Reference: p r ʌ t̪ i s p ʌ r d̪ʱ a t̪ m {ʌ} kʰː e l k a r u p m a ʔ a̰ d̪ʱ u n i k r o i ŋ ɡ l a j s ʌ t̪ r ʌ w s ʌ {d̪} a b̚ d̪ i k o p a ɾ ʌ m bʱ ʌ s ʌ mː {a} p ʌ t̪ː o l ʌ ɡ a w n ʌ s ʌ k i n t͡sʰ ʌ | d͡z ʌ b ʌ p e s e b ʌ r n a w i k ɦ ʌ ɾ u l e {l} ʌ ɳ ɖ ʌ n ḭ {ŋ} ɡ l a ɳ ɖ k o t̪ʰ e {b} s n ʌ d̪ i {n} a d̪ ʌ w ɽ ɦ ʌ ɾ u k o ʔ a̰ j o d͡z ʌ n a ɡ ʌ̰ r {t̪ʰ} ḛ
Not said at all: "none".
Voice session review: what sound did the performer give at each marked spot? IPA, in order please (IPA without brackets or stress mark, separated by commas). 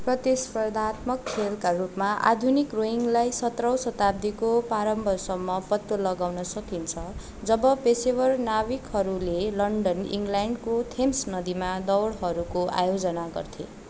ʌ, t̪, ʌ, l, ŋ, m, m, t̪ʰ